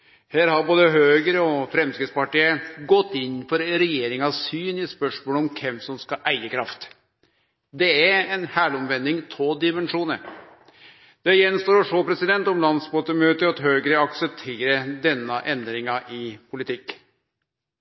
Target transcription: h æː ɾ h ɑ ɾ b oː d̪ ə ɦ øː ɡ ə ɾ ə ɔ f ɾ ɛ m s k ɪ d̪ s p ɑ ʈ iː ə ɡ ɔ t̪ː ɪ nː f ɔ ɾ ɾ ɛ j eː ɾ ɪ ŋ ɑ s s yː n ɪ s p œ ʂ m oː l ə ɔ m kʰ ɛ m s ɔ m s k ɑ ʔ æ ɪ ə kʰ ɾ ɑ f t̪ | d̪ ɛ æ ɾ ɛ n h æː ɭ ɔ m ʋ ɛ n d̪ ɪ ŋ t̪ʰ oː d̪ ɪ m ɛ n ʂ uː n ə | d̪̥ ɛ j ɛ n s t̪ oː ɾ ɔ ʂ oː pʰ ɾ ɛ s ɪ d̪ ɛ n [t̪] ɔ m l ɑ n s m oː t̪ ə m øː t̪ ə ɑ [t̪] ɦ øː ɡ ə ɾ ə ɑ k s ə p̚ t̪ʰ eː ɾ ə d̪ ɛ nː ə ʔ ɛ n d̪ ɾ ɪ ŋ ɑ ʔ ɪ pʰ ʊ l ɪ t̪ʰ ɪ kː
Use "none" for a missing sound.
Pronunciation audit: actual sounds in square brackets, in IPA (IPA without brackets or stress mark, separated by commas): t̪, t̪